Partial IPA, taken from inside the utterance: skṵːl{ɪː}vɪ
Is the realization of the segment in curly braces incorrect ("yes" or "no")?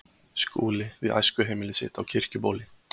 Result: yes